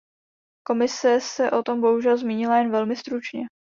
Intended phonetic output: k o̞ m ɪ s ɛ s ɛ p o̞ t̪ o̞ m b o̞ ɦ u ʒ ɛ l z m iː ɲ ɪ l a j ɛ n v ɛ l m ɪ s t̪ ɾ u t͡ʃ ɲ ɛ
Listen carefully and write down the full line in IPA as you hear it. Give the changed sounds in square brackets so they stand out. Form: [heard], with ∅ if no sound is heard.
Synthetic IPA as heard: k o̞ m ɪ s ɛ s ɛ [ʔ] o̞ t̪ o̞ m b o̞ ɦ u ʒ ɛ l z m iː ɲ ɪ l a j ɛ n v ɛ l m ɪ s t̪ ɾ u t͡ʃ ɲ ɛ